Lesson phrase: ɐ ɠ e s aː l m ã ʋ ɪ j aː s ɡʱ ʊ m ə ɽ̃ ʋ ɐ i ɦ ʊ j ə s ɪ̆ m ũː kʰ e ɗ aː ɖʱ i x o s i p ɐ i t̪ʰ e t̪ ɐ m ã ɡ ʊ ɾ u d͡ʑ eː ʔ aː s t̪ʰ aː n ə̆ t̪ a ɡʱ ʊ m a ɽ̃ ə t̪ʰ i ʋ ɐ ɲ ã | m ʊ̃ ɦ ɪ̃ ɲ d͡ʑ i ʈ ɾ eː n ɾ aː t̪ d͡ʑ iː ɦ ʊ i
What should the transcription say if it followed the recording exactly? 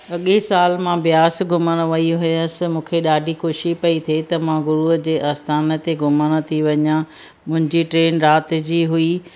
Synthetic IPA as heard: ɐ ɠ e s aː l m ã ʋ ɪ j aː s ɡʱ ʊ m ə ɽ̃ ʋ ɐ i ɦ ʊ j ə s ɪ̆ m ũː kʰ e ɗ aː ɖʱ i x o ʃ i p ɐ i t̪ʰ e t̪ ɐ m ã ɡ ʊ ɾ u d͡ʑ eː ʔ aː s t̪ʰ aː n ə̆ t̪ e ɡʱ ʊ m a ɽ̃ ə t̪ʰ i ʋ ɐ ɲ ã | m ʊ̃ ɦ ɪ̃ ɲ d͡ʑ i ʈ ɾ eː n ɾ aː t̪ d͡ʑ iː ɦ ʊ i